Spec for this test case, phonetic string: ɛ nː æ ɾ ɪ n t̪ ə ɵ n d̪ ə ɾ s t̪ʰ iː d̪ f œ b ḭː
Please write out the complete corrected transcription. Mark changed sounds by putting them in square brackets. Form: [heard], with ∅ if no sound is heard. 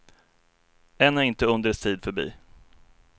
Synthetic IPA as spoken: ɛ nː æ ɾ ɪ n t̪ ə ɵ n d̪ ə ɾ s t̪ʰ iː d̪ f œ b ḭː